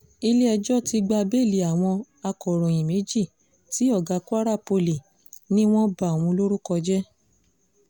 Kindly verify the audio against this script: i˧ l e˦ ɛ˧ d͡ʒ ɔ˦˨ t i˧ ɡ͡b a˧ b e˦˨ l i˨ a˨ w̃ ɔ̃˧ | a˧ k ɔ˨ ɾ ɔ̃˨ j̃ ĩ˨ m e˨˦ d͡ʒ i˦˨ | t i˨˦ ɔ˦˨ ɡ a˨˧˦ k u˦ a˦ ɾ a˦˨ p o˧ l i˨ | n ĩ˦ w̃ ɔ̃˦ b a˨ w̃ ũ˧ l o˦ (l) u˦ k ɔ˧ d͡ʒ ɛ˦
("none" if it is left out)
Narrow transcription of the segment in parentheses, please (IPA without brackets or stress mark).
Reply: ɾ